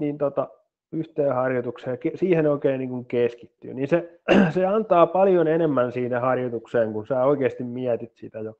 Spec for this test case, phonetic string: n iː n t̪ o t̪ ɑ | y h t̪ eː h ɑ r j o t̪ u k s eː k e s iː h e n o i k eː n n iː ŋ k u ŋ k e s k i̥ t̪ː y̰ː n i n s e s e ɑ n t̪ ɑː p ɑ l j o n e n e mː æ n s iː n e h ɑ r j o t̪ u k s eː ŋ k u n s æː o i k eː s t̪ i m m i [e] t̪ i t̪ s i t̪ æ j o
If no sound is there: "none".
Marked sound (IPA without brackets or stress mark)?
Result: æ